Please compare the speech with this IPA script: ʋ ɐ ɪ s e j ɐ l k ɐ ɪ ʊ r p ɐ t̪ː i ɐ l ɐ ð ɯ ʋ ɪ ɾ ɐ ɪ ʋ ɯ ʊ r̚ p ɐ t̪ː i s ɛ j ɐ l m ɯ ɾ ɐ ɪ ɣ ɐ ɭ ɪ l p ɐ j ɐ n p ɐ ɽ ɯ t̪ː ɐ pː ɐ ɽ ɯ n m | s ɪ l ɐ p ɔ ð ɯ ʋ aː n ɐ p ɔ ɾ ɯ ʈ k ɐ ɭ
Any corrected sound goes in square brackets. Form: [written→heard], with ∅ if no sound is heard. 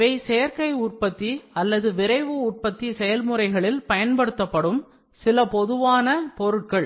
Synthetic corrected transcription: ʋ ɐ ɪ s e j ɐ [l→ɾ] k ɐ ɪ ʊ r p ɐ t̪ː i ɐ [l→lː] ɐ ð ɯ ʋ ɪ ɾ ɐ ɪ ʋ ɯ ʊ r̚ p ɐ t̪ː i s ɛ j ɐ l m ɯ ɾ ɐ ɪ ɣ ɐ ɭ ɪ l p ɐ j ɐ n p ɐ ɽ ɯ t̪ː ɐ pː ɐ ɽ ɯ [n→∅] m | s ɪ l ɐ p ɔ ð ɯ ʋ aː n ɐ p ɔ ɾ ɯ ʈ k ɐ ɭ

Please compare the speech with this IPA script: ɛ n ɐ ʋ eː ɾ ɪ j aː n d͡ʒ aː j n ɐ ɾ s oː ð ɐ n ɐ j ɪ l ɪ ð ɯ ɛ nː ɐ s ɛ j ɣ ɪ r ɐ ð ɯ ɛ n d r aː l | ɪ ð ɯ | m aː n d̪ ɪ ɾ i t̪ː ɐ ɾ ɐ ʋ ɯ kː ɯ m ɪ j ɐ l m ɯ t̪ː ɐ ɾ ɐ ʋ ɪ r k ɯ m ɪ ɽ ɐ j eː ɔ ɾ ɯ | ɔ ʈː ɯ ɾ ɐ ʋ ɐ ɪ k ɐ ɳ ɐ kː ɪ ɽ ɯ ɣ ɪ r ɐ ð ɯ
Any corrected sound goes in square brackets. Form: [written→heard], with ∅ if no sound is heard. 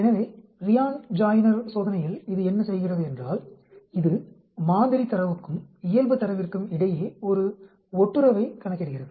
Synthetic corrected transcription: ɛ n ɐ ʋ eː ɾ ɪ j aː n d͡ʒ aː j n ɐ ɾ s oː ð ɐ n ɐ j ɪ l ɪ ð ɯ ɛ nː ɐ s ɛ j ɣ ɪ r ɐ ð ɯ ɛ n d r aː l | ɪ ð ɯ | m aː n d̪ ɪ ɾ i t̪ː ɐ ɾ ɐ ʋ ɯ kː ɯ m ɪ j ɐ l [m→b] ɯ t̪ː ɐ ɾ ɐ ʋ ɪ r k ɯ m ɪ ɽ ɐ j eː ɔ ɾ ɯ | ɔ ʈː ɯ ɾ ɐ ʋ ɐ ɪ k ɐ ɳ ɐ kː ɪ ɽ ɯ ɣ ɪ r ɐ ð ɯ

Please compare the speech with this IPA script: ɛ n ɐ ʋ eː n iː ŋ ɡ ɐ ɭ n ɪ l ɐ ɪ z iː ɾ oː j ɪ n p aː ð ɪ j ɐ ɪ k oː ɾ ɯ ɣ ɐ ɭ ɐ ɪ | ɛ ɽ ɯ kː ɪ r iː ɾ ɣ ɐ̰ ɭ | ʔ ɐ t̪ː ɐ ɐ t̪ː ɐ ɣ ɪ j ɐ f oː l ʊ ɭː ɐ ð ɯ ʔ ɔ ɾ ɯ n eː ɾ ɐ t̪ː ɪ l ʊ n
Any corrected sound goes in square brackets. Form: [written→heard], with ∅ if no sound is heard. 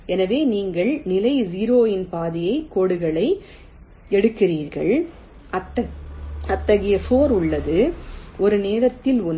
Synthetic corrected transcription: ɛ n ɐ ʋ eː n iː ŋ ɡ ɐ ɭ n ɪ l ɐ ɪ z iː ɾ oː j ɪ n p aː ð ɪ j ɐ ɪ k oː [ɾ→ɽ] ɯ ɣ ɐ ɭ ɐ ɪ | ɛ ɽ ɯ kː ɪ r iː ɾ ɣ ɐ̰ ɭ | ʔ ɐ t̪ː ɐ ɐ t̪ː ɐ ɣ ɪ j ɐ f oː [l→ɾ] ʊ ɭː ɐ ð ɯ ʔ ɔ ɾ ɯ n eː ɾ ɐ t̪ː ɪ l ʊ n

